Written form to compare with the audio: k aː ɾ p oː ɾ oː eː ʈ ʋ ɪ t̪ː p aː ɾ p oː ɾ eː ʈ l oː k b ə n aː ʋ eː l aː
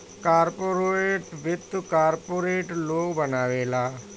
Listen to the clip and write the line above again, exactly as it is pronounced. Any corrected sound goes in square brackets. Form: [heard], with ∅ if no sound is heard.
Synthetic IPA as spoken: k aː ɾ p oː ɾ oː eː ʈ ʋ ɪ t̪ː [k] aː ɾ p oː ɾ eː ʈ l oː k b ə n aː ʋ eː l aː

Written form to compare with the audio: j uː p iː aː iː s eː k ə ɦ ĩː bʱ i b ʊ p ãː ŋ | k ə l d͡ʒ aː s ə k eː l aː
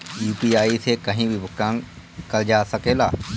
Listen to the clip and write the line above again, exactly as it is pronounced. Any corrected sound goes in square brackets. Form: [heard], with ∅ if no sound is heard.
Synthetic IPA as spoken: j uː p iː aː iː s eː k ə ɦ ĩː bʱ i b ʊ [k] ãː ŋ | k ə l d͡ʒ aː s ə k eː l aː

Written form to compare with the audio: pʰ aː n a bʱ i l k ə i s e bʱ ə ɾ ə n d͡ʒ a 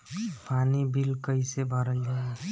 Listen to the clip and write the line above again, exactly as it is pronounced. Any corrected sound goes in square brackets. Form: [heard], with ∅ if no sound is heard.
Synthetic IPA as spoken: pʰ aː n [i] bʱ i l k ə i s e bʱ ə ɾ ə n d͡ʒ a

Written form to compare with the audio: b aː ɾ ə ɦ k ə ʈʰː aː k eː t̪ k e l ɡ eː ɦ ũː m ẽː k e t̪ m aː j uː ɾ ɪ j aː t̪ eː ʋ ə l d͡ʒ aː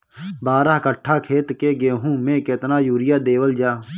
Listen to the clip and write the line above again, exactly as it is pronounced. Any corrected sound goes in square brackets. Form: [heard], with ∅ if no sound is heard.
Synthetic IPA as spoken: b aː ɾ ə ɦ k ə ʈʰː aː [kʰ] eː t̪ k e [∅] ɡ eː ɦ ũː m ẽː k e t̪ [n] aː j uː ɾ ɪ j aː [d̪] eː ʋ ə l d͡ʒ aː

